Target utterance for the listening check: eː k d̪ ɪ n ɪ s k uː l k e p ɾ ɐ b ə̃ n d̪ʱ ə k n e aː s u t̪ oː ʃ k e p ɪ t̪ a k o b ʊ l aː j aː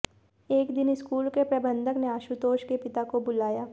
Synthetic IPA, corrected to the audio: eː k d̪ ɪ n ɪ s k uː l k e p ɾ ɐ b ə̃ n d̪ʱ ə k n e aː ʃ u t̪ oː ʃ k e p ɪ t̪ a k o b ʊ l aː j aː